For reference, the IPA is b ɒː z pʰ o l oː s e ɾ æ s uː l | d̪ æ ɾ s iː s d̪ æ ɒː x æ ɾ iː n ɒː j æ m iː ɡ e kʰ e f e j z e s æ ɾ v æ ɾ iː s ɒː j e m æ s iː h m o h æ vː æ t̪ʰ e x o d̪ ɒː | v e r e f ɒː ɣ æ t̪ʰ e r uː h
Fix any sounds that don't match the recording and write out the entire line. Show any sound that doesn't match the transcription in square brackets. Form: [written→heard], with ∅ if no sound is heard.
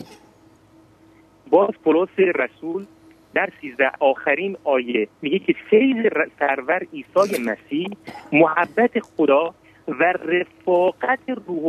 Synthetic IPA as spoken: b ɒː z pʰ o l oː s e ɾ æ s uː l | d̪ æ ɾ s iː [s→z] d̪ æ ɒː x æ ɾ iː n ɒː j [æ→e] m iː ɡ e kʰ e f e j z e s æ ɾ v æ ɾ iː s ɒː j e m æ s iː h m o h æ [vː→bː] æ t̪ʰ e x o d̪ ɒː | v [e→æ] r e f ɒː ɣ æ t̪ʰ e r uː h